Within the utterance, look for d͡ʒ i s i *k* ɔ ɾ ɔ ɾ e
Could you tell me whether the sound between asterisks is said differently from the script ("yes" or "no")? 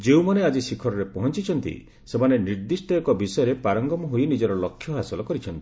yes